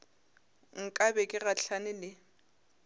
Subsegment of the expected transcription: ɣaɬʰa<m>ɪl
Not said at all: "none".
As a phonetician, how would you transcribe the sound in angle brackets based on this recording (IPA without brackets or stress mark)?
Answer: n